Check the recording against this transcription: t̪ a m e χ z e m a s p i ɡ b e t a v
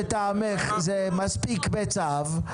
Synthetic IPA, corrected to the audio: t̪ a m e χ z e m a s p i k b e t͡s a v